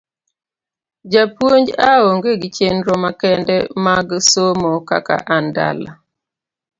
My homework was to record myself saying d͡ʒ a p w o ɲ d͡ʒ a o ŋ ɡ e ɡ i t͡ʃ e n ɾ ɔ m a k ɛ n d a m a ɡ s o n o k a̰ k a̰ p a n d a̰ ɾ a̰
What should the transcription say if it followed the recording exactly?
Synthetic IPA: d͡ʒ a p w o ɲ d͡ʒ a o ŋ ɡ e ɡ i t͡ʃ e n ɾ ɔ m a k ɛ n d ɛ m a ɡ s o m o k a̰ k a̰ ʔ a n d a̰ l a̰